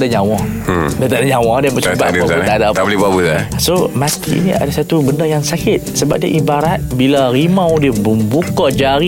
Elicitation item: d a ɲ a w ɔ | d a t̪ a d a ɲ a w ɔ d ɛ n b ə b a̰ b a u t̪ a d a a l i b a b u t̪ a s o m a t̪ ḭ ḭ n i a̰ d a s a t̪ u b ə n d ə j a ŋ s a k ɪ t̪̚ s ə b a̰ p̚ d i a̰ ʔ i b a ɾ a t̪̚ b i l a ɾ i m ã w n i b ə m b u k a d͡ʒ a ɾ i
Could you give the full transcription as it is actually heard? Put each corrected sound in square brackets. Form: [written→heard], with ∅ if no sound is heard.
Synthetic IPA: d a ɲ a w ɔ | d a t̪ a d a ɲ a w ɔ d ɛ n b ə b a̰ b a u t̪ a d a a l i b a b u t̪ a s o m a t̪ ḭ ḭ n i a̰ d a s a t̪ u b ə n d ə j a ŋ s a k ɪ t̪̚ s ə b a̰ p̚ d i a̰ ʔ i b a ɾ a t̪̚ b i l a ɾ i m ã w [n→d] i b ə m b u k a d͡ʒ a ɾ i